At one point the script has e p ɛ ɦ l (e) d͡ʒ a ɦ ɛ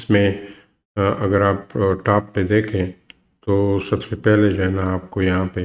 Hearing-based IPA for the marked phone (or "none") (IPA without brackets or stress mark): e